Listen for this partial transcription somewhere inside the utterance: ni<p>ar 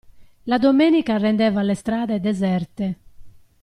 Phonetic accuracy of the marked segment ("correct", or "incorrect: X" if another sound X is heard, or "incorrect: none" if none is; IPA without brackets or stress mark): incorrect: k